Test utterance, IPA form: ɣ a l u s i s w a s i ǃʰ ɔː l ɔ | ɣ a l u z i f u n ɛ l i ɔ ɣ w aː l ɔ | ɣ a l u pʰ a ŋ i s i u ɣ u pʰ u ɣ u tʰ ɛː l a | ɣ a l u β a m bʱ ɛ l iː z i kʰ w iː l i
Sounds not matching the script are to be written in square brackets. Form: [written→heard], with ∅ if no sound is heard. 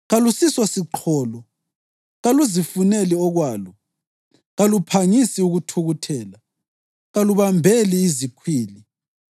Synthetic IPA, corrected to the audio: ɣ a l u s i s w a s i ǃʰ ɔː l ɔ | ɣ a l u z i f u n ɛ l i ɔ ɣ w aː l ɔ | ɣ a l u pʰ a ŋ i s i u ɣ u [pʰ→tʰ] u ɣ u tʰ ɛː l a | ɣ a l u β a m bʱ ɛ l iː z i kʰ w iː l i

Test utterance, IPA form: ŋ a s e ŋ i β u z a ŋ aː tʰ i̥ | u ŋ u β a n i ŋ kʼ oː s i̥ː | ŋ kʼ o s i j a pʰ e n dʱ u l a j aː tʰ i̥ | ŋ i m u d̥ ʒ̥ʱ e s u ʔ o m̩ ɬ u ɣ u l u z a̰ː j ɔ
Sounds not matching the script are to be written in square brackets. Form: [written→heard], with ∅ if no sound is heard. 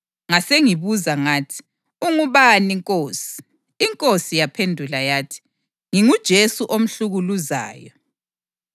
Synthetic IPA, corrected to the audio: ŋ a s e ŋ i β u z a ŋ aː tʰ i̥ | u ŋ u β a n i ŋ kʼ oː s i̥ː | ŋ kʼ o s i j a pʰ e n dʱ u l a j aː tʰ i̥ | ŋ i [m→ŋ] u d̥ ʒ̥ʱ e s u ʔ o m̩ ɬ u ɣ u l u z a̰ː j ɔ

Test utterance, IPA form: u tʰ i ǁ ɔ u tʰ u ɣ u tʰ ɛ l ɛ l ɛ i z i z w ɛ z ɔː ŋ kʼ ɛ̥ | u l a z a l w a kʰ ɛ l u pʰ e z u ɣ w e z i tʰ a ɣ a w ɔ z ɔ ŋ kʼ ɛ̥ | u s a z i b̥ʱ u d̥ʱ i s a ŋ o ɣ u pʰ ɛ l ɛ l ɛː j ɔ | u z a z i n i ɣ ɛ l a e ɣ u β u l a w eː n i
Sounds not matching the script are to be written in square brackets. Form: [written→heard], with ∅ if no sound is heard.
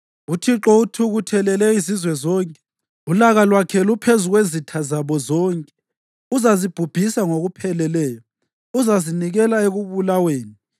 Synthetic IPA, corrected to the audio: u tʰ i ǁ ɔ u tʰ u ɣ u tʰ ɛ l ɛ l ɛ i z i z w ɛ z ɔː ŋ kʼ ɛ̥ | u l a [z→ɣ] a l w a kʰ ɛ l u pʰ e z u ɣ w e z i tʰ a [ɣ→z] a [w→β] ɔ z ɔ ŋ kʼ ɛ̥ | u [s→z] a z i b̥ʱ u [d̥ʱ→b̥ʱ] i s a ŋ o ɣ u pʰ ɛ l ɛ l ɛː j ɔ | u z a z i n i ɣ ɛ l a e ɣ u β u l a w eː n i

